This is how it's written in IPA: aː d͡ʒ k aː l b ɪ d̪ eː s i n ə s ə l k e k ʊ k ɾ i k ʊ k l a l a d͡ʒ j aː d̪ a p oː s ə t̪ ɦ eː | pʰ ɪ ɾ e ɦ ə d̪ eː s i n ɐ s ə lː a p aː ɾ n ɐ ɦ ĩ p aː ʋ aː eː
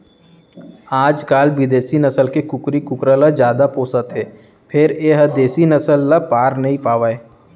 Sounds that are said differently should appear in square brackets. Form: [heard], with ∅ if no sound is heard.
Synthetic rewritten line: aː d͡ʒ k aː l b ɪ d̪ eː s i n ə s ə l k e k ʊ k ɾ i k ʊ k [ɾ] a l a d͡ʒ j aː d̪ a p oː s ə t̪ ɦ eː | pʰ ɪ ɾ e ɦ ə d̪ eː s i n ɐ s ə lː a p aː ɾ n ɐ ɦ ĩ p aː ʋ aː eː